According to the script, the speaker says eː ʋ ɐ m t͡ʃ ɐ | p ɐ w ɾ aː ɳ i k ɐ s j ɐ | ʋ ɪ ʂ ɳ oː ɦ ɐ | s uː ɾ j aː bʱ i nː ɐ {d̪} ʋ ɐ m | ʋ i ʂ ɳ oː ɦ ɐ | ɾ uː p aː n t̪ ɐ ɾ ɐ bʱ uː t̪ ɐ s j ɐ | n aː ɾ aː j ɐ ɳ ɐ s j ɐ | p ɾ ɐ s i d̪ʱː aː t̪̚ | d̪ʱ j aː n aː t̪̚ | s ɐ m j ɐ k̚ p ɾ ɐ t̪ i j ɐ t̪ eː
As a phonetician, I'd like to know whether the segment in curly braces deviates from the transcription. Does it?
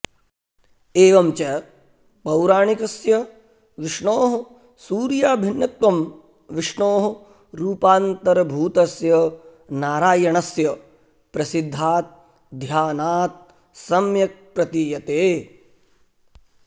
yes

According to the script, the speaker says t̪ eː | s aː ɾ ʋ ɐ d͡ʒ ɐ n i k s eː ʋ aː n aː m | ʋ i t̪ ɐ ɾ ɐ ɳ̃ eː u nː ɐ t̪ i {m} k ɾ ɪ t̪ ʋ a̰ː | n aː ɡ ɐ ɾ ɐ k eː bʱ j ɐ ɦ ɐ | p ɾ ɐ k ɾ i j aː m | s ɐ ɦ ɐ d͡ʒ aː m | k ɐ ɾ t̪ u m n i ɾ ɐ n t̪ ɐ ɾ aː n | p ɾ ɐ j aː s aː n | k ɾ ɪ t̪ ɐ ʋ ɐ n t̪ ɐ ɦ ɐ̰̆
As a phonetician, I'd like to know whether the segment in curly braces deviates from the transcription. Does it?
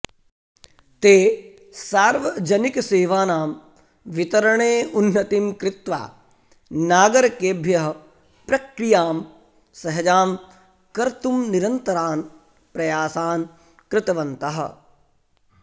no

